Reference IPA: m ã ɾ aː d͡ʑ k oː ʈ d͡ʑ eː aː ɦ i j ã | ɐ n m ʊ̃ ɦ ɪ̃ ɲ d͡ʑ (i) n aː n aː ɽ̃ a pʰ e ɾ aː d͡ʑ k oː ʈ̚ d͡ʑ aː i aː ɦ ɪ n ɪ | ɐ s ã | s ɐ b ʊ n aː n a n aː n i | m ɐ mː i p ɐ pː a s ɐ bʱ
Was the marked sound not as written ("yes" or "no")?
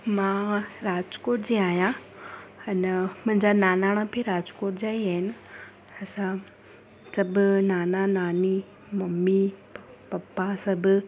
yes